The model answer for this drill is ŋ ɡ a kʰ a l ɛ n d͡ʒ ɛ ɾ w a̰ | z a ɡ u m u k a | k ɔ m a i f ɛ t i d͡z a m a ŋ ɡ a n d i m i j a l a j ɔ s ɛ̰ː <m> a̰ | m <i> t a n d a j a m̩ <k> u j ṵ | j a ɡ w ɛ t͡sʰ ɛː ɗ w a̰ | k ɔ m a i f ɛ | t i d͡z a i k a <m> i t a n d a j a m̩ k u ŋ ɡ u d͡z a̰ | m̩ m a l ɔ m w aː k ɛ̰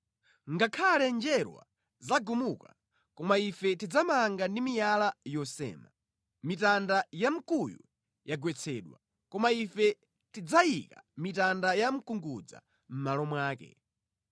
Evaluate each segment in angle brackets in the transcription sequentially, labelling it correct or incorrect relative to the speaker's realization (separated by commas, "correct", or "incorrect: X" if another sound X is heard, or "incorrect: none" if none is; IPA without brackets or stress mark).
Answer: correct, correct, correct, correct